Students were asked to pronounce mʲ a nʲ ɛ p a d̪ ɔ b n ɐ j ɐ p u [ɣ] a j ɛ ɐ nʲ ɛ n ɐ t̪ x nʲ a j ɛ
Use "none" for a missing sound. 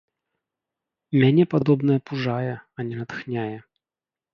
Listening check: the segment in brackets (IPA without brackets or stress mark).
ʐ